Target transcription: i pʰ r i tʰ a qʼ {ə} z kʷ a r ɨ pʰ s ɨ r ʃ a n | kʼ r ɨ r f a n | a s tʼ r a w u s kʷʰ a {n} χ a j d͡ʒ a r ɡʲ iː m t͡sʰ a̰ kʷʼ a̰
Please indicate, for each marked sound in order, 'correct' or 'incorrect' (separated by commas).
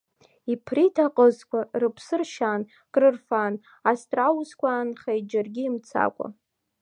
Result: correct, correct